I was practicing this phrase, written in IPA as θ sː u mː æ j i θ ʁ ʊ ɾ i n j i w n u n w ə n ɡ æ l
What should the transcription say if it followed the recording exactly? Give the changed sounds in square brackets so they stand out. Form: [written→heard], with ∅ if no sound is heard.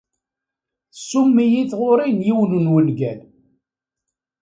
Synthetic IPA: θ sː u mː [æ→i] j i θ ʁ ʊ ɾ i n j i w n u n w ə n ɡ æ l